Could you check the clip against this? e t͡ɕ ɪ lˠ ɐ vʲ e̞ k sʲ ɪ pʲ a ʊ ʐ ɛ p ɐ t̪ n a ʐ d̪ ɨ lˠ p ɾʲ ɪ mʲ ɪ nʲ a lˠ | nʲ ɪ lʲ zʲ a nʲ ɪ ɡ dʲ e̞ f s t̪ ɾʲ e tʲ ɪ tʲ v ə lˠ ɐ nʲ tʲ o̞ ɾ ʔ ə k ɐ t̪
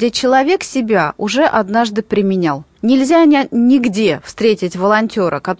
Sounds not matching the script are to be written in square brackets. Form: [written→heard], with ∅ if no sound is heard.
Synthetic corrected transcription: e t͡ɕ ɪ lˠ ɐ vʲ e̞ k sʲ ɪ [pʲ→bʲ] a ʊ ʐ ɛ [p→ʔ] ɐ [t̪→d̪] n a ʐ d̪ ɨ [lˠ→∅] p ɾʲ ɪ mʲ ɪ nʲ a lˠ | nʲ ɪ lʲ zʲ a nʲ ɪ ɡ dʲ e̞ f s t̪ ɾʲ e tʲ ɪ tʲ v ə lˠ ɐ nʲ tʲ o̞ ɾ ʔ ə k ɐ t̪